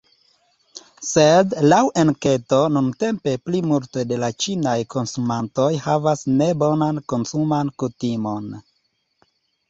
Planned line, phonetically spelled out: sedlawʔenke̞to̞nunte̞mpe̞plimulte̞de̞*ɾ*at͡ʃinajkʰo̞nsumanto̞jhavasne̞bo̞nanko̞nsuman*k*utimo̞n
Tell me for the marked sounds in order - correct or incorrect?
incorrect, correct

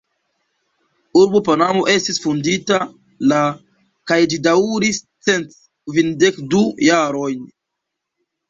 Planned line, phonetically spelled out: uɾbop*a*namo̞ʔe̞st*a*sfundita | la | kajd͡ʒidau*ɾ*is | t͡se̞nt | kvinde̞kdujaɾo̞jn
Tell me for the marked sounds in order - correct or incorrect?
correct, incorrect, correct

